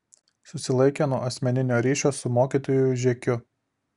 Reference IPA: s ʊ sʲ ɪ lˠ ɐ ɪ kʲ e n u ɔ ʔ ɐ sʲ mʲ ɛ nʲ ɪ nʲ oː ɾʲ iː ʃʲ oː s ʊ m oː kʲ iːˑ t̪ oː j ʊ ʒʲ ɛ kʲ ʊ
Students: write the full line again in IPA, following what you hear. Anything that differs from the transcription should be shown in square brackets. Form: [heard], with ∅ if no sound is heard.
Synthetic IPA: s ʊ sʲ ɪ lˠ ɐ ɪ kʲ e n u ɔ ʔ ɐ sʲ mʲ ɛ nʲ ɪ nʲ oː ɾʲ iː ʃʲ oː s ʊ m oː kʲ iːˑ t̪ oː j ʊ ʒʲ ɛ kʲ ʊ